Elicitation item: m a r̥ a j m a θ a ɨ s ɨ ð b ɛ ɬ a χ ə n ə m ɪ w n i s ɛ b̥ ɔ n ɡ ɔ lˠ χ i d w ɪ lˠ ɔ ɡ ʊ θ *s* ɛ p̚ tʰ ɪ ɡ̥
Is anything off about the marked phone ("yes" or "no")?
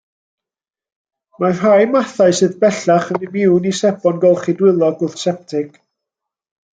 no